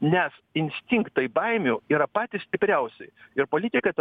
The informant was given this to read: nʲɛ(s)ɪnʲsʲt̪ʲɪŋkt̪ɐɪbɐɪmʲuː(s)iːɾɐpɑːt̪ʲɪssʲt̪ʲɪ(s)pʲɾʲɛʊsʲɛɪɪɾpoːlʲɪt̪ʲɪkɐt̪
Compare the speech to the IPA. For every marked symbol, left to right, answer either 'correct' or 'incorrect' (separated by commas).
correct, incorrect, incorrect